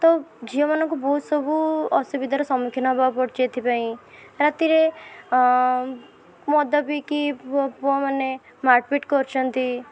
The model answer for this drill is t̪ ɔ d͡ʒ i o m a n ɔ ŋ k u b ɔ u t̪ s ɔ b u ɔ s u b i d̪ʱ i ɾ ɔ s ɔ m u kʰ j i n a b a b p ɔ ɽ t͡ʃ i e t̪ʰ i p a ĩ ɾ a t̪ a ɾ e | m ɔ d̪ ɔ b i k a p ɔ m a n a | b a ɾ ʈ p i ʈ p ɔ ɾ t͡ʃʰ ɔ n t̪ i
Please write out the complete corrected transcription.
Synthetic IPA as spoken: t̪ ɔ d͡ʒ i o m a n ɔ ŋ k u b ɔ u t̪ s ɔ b u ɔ s u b i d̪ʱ a ɾ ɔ s ɔ m u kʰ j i n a b a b p ɔ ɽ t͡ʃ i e t̪ʰ i p a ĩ ɾ a t̪ i ɾ e | m ɔ d̪ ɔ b i k i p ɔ m a n e | m a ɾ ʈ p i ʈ k ɔ ɾ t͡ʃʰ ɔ n t̪ i